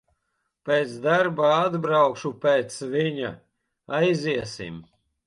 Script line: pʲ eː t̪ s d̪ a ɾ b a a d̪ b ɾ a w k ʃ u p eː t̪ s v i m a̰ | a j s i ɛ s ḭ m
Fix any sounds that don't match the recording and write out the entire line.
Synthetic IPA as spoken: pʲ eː t̪ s d̪ a ɾ b a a d̪ b ɾ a w k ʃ u p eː t̪ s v i ɲ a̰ | a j z i ɛ s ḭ m

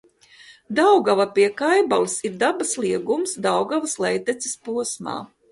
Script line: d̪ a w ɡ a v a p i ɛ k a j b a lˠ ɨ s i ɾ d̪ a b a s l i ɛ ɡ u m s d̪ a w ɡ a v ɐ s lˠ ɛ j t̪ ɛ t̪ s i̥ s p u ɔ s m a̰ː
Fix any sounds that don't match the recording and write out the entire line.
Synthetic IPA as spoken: d̪ a w ɡ a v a p i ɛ k a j b a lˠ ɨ s i ɾ d̪ a b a s l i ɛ ɡ u m s d̪ a w ɡ a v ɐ s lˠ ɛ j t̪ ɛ t̪ s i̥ s p u ɔ s m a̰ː

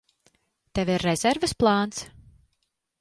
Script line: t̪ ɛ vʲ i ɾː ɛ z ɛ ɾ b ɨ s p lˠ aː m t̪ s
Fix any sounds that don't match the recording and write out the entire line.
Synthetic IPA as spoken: t̪ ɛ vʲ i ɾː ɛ z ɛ ɾ v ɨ s p lˠ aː n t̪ s

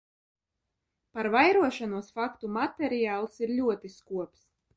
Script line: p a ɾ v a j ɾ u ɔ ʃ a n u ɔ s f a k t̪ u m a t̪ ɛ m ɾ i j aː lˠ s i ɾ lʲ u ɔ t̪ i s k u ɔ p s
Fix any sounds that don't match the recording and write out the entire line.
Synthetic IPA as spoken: p a ɾ v a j ɾ u ɔ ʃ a n u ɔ s f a k t̪ u m a t̪ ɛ ɾ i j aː lˠ s i ɾ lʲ u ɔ t̪ i s k u ɔ p s

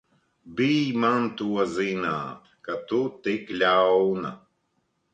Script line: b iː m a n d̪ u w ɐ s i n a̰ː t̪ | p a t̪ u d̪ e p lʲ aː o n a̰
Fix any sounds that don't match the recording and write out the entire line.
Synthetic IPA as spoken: b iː m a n t̪ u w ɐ z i n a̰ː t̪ | k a t̪ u t̪ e k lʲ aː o n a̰

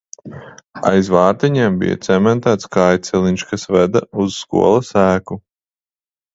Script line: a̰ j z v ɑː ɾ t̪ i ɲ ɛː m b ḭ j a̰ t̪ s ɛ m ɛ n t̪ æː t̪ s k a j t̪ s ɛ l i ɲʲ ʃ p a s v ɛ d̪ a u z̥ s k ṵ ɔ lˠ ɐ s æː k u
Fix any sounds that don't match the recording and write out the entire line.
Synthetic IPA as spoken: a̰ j z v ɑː ɾ t̪ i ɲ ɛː m b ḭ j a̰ t̪ s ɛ m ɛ n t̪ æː t̪ s k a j t̪ s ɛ l i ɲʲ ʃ k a s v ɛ d̪ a u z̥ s k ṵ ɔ lˠ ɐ s æː k u

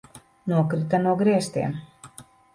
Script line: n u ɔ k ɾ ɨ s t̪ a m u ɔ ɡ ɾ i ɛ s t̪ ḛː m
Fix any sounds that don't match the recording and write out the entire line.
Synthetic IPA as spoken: n u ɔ k ɾ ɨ t̪ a n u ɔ ɡ ɾ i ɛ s t̪ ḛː m

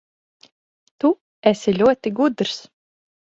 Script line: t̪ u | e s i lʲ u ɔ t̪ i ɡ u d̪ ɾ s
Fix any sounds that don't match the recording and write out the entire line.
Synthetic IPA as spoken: t̪ u | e s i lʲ u ɔ t̪ i ɡ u d̪ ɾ s

